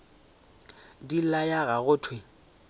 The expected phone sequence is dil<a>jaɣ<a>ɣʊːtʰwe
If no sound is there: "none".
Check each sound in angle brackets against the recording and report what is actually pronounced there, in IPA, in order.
a, a

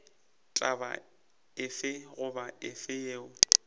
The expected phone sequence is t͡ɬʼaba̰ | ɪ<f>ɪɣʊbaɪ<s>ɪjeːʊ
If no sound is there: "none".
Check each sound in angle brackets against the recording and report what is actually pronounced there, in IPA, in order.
f, f

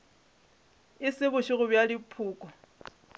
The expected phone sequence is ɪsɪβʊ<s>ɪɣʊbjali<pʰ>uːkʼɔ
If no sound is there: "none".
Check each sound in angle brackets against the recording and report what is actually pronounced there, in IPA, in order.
ʃ, pʰ

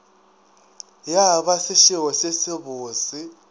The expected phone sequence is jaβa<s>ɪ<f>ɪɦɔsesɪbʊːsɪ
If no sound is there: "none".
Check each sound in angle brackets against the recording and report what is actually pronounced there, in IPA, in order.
s, ʃ

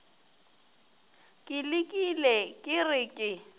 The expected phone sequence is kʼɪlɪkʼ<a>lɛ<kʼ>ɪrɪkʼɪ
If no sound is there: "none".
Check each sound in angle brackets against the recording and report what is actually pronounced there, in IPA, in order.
i, kʼ

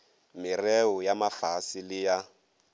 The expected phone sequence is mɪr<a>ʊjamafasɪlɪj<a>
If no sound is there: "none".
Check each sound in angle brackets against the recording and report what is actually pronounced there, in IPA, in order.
ɛ, a

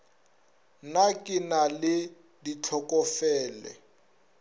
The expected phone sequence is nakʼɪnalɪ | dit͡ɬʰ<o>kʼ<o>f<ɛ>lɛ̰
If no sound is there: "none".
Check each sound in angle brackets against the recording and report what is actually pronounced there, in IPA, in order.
ɔ, ɔ, ɛː

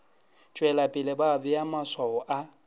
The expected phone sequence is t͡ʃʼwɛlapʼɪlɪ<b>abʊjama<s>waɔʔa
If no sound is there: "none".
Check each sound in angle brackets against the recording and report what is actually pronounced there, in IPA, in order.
b, s

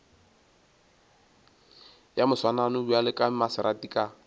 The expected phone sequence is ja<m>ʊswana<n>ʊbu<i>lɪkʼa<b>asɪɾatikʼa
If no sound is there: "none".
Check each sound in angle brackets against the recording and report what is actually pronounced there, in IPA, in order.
m, n, a, m

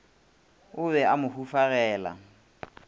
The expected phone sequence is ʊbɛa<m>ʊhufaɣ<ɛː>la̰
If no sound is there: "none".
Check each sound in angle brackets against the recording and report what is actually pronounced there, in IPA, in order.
m, ɛː

